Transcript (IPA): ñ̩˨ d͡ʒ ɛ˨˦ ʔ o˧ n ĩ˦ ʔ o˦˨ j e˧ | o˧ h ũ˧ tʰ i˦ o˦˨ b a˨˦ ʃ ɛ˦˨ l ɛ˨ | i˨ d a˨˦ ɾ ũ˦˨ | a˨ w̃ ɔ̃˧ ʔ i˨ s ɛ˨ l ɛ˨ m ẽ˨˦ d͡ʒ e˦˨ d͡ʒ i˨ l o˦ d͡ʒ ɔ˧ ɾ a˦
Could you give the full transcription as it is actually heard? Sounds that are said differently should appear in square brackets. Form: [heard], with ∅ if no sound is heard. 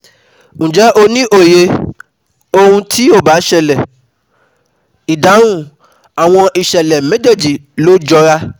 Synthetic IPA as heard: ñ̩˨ d͡ʒ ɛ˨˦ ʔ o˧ n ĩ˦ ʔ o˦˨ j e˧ | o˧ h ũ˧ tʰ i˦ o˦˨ b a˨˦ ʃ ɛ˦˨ l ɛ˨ | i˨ d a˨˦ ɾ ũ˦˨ | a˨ w̃ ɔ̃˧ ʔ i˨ [ʃ] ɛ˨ l ɛ˨ m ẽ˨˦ d͡ʒ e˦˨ d͡ʒ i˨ l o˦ d͡ʒ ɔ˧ ɾ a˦